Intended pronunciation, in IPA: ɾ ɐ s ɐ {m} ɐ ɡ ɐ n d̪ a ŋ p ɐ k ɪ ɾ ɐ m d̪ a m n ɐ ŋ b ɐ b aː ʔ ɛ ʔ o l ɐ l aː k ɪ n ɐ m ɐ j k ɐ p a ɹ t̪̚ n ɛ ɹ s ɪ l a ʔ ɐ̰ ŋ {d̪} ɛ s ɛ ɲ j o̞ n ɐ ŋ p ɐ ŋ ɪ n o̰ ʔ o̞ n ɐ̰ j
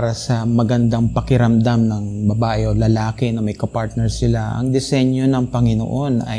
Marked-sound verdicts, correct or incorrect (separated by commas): correct, correct